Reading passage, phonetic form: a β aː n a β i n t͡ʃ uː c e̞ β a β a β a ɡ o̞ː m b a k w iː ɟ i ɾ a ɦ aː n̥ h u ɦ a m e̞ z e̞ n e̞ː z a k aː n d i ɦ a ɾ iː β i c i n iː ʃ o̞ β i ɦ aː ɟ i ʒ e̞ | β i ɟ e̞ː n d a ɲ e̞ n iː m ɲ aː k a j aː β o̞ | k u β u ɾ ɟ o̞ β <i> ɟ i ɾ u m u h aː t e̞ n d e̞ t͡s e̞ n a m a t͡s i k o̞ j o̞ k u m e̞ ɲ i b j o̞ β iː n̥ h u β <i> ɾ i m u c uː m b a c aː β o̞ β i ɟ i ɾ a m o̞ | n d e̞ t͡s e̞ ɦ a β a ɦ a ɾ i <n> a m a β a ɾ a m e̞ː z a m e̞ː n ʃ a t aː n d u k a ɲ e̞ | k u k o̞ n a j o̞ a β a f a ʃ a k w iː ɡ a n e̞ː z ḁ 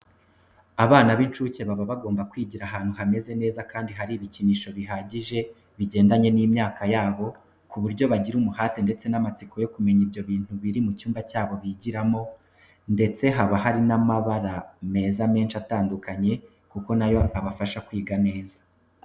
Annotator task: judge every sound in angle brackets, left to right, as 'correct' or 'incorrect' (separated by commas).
incorrect, correct, correct